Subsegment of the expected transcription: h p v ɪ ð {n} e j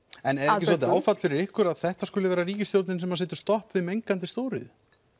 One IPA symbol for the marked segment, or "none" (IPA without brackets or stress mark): m